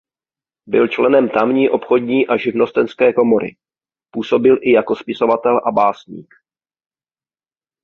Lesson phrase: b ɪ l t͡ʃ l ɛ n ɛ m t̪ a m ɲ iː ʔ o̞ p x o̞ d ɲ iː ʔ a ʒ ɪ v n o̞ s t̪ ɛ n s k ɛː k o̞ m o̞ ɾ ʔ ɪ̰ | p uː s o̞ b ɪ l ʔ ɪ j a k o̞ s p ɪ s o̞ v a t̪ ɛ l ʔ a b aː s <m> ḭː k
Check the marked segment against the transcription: incorrect: ɲ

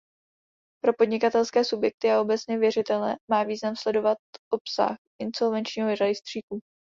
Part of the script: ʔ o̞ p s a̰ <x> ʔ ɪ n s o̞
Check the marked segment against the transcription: correct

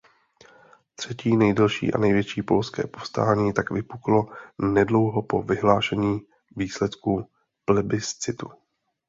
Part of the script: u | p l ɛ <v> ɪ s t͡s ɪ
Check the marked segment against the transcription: incorrect: b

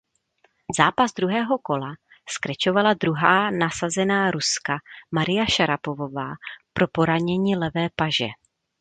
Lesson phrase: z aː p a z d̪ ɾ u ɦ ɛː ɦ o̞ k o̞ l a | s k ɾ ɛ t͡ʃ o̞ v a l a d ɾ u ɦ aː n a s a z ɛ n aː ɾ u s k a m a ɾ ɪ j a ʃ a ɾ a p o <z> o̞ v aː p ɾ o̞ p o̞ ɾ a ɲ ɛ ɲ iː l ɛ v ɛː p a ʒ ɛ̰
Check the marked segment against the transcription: incorrect: v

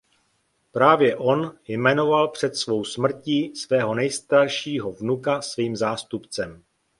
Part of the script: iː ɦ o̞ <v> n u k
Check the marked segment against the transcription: correct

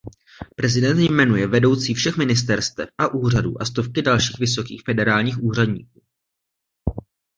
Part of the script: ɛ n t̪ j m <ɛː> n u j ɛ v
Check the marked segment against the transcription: incorrect: ɛ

